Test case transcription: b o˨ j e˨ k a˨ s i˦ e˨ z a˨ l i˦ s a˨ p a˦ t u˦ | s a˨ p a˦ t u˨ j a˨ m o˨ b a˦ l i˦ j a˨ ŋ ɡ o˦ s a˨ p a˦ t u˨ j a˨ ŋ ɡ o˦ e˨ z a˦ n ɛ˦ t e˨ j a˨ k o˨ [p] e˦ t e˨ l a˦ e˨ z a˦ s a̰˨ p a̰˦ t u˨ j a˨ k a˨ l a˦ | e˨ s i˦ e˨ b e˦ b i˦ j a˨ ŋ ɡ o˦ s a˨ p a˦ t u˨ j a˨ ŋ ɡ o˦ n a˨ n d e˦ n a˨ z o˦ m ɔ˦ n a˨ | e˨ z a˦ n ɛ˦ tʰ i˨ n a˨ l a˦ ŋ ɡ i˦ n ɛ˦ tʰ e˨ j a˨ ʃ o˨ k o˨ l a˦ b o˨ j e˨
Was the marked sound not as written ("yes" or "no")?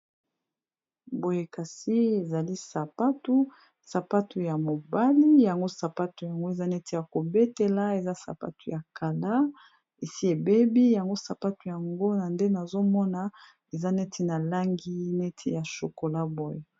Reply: yes